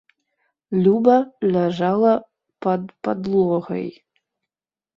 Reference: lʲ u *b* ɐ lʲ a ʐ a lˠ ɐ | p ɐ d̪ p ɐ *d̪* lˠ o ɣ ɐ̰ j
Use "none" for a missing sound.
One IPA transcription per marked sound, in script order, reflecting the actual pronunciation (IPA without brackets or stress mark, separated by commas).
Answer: b, d̪